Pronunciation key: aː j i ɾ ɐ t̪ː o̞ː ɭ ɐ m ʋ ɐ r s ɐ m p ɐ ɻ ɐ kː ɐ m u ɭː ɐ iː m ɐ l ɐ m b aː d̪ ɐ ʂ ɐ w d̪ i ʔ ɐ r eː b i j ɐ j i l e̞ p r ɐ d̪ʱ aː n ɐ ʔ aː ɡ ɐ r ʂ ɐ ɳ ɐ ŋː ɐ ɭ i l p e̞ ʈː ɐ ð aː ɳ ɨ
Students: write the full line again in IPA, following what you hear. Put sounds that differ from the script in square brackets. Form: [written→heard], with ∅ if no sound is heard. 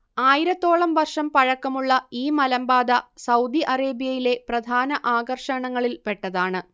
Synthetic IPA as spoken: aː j i ɾ ɐ t̪ː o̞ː ɭ ɐ m ʋ ɐ r [s→ʂ] ɐ m p ɐ ɻ ɐ kː ɐ m u ɭː ɐ iː m ɐ l ɐ m b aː d̪ ɐ [ʂ→s] ɐ w d̪ i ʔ ɐ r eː b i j ɐ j i l e̞ p r ɐ d̪ʱ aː n ɐ ʔ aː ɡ ɐ r ʂ ɐ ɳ ɐ ŋː ɐ ɭ i l p e̞ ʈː ɐ ð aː ɳ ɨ